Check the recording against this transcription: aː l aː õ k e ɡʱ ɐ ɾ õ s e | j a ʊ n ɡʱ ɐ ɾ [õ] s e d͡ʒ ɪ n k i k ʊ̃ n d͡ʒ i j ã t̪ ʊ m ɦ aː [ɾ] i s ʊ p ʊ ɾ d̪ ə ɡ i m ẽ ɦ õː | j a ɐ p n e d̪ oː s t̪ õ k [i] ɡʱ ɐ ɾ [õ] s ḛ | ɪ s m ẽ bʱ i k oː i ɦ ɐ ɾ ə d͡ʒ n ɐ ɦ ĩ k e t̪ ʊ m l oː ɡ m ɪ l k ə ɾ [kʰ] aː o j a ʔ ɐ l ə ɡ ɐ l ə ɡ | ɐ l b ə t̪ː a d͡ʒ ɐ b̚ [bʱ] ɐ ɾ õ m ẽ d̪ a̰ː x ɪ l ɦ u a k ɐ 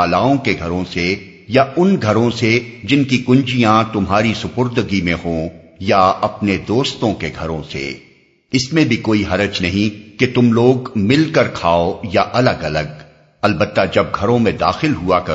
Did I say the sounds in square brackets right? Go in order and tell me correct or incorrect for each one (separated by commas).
correct, correct, incorrect, correct, correct, incorrect